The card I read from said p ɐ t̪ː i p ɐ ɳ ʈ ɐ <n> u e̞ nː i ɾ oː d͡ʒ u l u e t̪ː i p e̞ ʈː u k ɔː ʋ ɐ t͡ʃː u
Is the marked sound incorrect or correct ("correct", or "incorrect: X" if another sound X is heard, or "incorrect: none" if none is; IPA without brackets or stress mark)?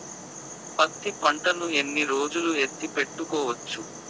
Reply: correct